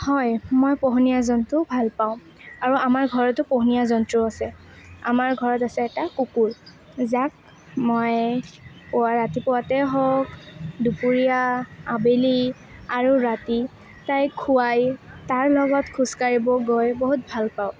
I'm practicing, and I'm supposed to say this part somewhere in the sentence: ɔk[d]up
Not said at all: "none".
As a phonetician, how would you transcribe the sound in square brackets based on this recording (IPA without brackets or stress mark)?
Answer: d